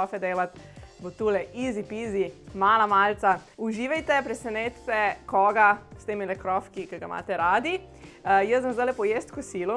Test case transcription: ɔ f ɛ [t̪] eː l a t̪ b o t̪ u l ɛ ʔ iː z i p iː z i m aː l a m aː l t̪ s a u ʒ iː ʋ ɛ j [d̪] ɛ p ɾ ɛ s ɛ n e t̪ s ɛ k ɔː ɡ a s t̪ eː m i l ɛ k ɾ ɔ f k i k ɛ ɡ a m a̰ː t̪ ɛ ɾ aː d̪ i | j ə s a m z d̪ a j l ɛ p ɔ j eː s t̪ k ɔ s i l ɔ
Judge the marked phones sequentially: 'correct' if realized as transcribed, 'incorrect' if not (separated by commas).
incorrect, incorrect